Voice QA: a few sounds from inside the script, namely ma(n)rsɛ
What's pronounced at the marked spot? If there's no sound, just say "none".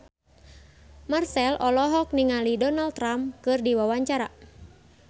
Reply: none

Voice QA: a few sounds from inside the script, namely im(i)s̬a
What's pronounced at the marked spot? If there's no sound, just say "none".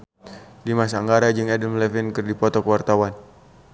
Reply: a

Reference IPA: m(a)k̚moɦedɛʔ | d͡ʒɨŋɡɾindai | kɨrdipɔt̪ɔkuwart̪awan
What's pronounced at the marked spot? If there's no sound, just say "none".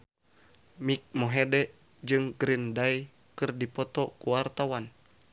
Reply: i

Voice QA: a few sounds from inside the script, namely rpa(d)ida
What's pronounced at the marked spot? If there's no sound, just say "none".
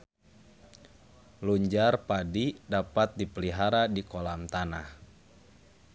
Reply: d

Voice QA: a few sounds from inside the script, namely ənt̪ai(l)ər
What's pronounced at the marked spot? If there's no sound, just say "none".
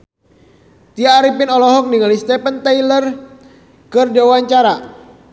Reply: l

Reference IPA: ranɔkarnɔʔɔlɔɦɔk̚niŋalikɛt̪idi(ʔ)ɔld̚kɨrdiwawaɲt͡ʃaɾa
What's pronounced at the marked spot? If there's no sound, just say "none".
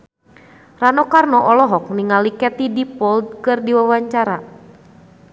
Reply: p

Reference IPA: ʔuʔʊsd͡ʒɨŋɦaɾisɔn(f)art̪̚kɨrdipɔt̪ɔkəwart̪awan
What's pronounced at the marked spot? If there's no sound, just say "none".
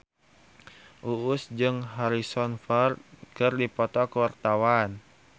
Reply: f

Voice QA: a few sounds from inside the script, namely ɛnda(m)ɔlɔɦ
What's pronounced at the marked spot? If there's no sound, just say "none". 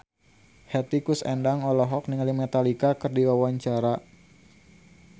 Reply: ŋ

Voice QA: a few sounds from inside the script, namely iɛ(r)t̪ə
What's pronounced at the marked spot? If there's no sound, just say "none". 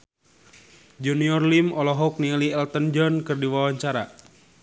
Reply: l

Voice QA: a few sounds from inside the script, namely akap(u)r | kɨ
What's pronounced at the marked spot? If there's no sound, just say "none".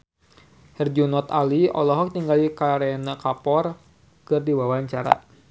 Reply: ɔ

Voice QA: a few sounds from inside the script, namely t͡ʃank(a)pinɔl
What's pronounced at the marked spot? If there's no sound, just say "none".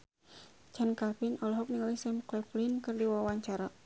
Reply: a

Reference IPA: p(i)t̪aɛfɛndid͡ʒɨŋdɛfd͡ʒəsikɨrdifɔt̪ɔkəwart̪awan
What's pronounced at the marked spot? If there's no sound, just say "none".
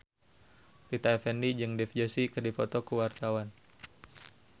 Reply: i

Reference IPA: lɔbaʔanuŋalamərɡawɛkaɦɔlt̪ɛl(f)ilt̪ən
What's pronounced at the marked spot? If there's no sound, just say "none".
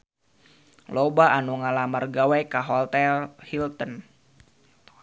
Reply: h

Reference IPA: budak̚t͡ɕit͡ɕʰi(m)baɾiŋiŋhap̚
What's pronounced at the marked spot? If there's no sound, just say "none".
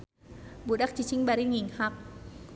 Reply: ŋ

